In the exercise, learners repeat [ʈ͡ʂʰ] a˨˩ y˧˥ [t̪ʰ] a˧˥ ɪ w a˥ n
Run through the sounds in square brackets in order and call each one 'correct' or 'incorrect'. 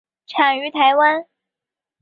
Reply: correct, correct

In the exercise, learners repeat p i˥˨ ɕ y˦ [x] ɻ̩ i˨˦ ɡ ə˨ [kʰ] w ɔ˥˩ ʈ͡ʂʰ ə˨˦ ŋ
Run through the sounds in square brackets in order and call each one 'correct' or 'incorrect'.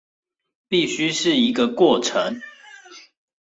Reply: incorrect: ʂ, incorrect: k

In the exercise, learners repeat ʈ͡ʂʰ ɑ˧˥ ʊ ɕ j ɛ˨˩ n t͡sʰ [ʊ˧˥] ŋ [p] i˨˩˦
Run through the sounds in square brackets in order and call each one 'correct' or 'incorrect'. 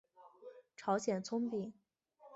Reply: incorrect: ʊ˥, correct

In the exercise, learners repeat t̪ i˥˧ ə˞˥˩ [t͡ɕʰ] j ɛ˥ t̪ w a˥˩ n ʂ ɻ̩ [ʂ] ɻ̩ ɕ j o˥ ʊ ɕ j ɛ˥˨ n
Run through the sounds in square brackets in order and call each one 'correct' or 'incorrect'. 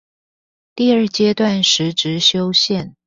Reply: incorrect: t͡ɕ, incorrect: ʈ͡ʂ

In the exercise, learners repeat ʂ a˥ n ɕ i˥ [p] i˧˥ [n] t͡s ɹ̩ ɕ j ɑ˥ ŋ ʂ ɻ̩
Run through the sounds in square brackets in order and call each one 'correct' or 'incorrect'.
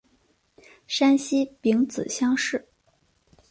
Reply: correct, incorrect: ŋ

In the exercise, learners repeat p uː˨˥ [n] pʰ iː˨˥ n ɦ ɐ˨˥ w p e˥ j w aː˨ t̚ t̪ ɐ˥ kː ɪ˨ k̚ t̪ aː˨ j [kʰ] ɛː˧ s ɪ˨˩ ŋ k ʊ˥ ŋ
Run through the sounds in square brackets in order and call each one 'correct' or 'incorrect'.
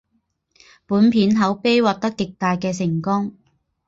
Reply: correct, incorrect: k

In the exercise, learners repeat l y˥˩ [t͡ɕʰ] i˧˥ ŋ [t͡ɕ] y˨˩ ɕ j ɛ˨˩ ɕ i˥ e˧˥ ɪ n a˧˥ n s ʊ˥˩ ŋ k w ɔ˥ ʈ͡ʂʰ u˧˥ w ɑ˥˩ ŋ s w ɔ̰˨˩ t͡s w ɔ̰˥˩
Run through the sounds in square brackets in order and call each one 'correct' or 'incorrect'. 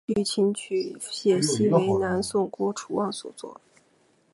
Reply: correct, incorrect: t͡ɕʰ

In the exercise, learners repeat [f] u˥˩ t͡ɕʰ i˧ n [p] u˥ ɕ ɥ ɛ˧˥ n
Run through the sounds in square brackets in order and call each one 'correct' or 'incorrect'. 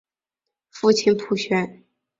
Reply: correct, incorrect: pʰ

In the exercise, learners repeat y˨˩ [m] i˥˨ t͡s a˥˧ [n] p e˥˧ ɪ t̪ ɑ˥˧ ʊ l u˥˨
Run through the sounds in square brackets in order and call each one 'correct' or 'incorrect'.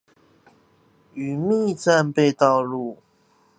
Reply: correct, correct

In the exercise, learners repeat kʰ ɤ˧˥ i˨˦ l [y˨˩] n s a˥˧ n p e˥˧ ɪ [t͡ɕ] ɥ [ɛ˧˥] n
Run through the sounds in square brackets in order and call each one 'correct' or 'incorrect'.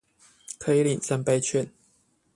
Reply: incorrect: i˨˩, incorrect: t͡ɕʰ, incorrect: ɛ˥˨

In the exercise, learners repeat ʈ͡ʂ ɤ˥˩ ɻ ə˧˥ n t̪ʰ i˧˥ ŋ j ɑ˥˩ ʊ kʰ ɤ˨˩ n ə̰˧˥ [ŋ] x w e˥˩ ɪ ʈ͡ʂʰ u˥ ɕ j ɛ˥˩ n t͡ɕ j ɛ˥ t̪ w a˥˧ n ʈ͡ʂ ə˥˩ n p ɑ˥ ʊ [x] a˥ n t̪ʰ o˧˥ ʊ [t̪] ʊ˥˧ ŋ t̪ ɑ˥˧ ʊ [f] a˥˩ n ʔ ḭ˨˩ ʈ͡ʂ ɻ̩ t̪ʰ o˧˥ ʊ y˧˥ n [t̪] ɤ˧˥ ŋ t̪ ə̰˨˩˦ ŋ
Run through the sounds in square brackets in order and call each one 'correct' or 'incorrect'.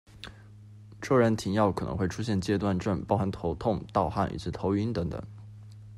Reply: correct, correct, incorrect: t̪ʰ, incorrect: x, correct

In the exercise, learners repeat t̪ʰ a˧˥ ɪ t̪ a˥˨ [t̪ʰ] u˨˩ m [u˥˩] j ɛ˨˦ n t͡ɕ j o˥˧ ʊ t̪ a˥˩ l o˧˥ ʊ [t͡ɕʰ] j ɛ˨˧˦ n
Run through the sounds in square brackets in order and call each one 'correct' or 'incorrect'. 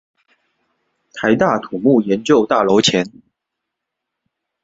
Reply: correct, correct, correct

